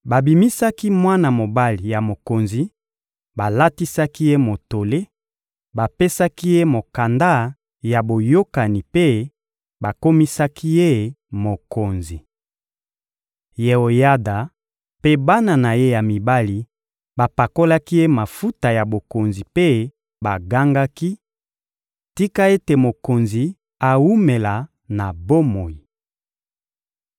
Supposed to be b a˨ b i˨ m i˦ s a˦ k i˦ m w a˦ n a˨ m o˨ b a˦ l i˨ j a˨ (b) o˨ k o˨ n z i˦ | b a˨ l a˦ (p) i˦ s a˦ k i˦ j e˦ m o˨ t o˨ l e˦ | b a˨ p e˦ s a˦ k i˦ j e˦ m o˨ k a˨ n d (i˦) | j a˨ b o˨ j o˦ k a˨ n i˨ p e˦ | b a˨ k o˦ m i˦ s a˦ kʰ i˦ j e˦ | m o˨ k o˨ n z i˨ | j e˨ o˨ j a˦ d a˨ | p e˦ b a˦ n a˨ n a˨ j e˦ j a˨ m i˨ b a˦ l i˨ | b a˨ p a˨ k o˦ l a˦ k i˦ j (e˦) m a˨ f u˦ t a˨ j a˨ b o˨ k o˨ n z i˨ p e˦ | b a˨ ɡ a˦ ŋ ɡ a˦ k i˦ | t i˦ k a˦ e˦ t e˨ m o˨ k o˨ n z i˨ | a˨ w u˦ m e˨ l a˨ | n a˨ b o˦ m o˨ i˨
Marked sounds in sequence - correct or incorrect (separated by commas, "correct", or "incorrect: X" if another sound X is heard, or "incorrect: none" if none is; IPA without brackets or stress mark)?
incorrect: m, incorrect: t, incorrect: a˦, correct